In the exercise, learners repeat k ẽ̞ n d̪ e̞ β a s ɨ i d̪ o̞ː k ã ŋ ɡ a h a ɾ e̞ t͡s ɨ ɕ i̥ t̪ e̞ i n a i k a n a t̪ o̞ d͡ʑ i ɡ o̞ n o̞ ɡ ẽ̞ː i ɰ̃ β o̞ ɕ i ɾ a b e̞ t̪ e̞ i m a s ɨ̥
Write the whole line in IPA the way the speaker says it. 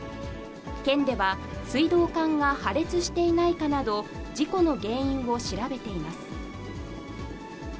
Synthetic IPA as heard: k ẽ̞ n d̪ e̞ β a s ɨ i d̪ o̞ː k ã ŋ ɡ a h a ɾ e̞ t͡s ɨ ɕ i̥ t̪ e̞ i n a i k a n a d̪ o̞ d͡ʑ i k o̞ n o̞ ɡ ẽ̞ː ĩ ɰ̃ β o̞ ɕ i ɾ a b e̞ t̪ e̞ i m a s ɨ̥